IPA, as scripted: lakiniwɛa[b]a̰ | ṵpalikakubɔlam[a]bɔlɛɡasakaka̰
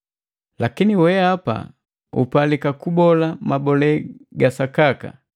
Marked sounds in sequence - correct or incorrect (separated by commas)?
incorrect, correct